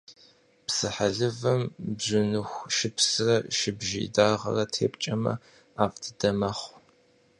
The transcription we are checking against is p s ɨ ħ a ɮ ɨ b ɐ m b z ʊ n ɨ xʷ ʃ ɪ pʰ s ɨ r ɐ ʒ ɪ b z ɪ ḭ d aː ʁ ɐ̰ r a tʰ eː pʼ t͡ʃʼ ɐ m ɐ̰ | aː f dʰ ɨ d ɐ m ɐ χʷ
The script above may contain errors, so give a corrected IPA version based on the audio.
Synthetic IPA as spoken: p s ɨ ħ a ɮ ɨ v ɐ m b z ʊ n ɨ xʷ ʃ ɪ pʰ s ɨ r ɐ ʃ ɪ b ʒ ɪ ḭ d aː ʁ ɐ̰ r ɐ tʰ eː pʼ t͡ʃʼ ɐ m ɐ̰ | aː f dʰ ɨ d ɐ m ɐ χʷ